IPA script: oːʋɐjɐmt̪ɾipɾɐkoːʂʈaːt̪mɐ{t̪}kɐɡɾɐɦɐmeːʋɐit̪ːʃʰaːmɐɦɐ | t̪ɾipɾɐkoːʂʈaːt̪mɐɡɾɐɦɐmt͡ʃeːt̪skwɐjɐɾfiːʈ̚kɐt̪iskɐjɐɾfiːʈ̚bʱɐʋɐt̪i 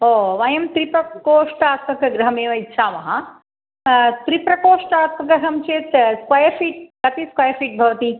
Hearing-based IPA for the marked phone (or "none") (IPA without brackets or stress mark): none